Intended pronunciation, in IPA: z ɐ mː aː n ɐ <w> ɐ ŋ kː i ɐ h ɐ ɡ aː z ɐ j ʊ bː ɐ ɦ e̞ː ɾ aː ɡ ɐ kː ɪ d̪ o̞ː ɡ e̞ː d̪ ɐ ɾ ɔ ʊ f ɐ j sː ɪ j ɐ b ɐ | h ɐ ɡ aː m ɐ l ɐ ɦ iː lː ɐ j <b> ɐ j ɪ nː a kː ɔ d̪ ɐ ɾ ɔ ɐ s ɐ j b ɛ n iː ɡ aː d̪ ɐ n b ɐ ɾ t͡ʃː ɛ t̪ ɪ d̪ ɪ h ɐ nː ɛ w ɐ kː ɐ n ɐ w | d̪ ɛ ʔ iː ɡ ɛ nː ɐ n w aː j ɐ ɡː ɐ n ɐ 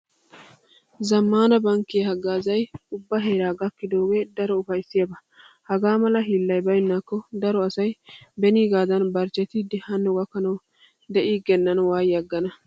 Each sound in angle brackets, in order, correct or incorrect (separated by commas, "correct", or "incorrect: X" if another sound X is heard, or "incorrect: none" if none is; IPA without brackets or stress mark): incorrect: b, correct